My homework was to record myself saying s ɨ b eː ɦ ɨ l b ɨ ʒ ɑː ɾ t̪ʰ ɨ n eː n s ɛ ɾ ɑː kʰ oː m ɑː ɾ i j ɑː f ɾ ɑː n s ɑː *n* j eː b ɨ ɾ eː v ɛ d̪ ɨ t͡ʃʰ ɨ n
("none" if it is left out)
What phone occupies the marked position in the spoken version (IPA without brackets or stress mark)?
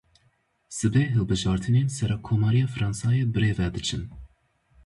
none